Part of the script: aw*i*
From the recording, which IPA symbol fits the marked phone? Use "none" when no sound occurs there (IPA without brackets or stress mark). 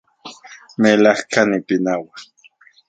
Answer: a